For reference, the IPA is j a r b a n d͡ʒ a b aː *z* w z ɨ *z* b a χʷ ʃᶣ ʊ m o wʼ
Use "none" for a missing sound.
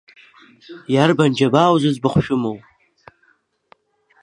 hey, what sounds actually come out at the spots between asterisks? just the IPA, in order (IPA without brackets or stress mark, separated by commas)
none, z